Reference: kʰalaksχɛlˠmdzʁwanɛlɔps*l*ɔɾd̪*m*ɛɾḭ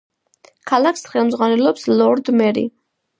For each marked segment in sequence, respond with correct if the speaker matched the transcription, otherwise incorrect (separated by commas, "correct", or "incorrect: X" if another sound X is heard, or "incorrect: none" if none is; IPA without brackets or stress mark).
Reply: correct, correct